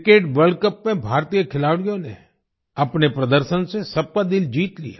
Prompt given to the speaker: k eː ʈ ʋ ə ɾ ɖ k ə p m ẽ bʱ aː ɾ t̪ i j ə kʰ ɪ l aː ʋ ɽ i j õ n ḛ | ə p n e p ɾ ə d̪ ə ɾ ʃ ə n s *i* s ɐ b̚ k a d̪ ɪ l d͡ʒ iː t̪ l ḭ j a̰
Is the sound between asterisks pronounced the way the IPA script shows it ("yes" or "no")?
no